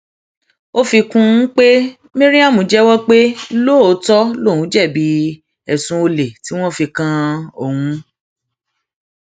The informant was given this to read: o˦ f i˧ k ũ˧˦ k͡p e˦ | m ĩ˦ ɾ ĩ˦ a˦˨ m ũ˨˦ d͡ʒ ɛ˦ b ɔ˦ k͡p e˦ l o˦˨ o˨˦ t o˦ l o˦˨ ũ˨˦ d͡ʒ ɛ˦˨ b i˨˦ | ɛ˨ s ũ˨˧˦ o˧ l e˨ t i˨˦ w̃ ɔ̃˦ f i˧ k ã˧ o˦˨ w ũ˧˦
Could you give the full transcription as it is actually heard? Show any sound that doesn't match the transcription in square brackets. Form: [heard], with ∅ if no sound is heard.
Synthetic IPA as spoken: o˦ f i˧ k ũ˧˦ k͡p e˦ | m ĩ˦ ɾ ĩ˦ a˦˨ m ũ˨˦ d͡ʒ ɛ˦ [w] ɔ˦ k͡p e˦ l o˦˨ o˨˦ t [ɔ˦] l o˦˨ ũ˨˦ d͡ʒ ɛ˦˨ b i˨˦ | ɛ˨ s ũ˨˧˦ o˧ l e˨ t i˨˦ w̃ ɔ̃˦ f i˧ k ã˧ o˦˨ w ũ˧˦